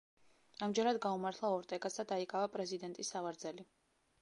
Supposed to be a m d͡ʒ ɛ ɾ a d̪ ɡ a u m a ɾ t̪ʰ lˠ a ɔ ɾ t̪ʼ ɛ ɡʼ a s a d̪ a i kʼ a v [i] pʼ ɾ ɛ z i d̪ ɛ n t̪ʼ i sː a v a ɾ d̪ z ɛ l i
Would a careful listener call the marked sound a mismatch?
yes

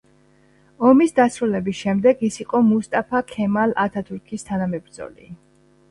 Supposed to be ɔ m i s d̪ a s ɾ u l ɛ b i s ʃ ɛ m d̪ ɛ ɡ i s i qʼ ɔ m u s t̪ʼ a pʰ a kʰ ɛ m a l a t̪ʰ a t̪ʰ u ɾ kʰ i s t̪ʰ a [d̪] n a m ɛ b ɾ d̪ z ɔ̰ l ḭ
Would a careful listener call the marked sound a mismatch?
yes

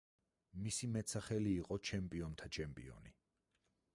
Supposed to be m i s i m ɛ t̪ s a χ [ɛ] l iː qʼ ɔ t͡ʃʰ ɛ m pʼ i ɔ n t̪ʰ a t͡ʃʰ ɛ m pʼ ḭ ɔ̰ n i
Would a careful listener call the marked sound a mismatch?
no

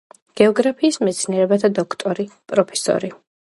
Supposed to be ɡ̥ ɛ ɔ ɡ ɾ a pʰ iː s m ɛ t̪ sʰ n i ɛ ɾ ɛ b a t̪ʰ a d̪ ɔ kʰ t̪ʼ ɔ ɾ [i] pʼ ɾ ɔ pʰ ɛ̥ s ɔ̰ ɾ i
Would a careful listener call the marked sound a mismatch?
no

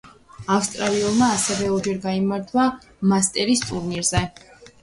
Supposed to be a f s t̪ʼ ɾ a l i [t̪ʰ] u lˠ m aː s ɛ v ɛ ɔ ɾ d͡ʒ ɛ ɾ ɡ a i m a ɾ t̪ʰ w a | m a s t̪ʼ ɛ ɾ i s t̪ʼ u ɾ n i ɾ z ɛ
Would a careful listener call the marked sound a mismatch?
yes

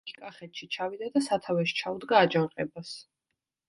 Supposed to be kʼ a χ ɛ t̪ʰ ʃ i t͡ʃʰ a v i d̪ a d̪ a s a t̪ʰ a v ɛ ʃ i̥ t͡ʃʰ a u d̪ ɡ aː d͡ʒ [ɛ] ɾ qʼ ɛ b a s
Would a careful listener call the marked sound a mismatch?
yes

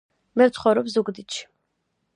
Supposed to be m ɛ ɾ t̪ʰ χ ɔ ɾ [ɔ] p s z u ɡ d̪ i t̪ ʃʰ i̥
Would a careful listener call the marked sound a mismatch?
no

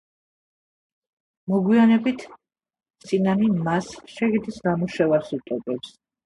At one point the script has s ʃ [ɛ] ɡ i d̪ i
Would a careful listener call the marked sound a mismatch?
no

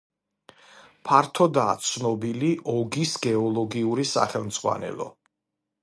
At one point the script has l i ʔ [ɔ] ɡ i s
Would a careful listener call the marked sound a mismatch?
no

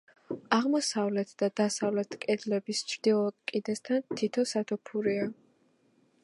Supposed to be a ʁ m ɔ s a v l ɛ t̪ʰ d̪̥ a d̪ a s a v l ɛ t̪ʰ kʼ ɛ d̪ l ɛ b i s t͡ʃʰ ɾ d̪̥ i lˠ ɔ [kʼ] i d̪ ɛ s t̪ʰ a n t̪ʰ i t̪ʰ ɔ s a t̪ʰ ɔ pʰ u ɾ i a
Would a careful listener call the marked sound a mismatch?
no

